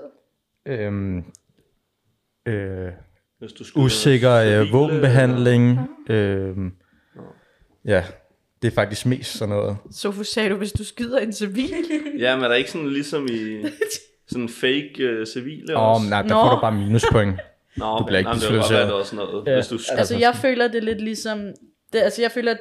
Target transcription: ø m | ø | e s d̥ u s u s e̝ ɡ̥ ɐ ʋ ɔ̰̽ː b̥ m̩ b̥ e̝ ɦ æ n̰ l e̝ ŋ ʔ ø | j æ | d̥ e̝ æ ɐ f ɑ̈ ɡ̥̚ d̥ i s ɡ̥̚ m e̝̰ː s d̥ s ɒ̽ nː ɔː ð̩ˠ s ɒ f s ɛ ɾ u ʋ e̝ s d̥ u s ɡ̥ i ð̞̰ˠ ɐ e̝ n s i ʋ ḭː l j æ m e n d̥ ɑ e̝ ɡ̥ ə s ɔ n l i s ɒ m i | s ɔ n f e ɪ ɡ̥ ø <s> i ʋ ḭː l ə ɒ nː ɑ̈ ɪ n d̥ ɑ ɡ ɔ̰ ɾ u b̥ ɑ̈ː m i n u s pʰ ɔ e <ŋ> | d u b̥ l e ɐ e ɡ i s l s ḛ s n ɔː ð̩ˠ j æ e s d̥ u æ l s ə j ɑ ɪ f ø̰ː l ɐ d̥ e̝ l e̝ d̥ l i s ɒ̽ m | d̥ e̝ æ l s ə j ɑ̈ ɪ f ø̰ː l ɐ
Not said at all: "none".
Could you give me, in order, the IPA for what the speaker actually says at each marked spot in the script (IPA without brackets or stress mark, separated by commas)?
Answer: s, ŋ